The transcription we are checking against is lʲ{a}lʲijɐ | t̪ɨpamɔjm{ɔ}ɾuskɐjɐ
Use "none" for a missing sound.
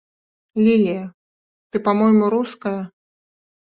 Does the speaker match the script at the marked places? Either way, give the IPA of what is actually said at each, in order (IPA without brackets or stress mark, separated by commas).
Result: i, u